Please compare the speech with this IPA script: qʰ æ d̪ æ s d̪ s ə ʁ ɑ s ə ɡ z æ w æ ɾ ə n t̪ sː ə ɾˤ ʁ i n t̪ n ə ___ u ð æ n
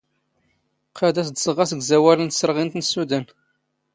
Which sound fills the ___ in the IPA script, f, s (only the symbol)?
s